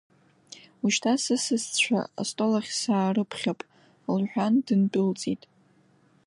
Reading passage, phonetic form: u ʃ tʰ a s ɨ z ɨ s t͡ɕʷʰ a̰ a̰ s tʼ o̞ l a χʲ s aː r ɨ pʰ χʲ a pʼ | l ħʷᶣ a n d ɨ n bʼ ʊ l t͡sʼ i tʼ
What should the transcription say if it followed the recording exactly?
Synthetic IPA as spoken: u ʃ tʰ a s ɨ s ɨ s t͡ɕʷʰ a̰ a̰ s tʼ o̞ l a χʲ s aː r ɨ pʰ χʲ a pʼ | l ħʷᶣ a n d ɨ n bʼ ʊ l t͡sʼ i tʼ